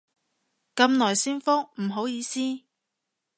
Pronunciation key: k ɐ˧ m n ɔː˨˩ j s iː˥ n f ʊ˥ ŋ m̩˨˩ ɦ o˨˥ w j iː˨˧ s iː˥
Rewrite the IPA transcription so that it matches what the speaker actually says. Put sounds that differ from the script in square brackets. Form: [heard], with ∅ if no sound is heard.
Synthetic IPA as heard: k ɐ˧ m n ɔː˨˩ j s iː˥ n f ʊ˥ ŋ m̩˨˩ ɦ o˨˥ w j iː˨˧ s iː˥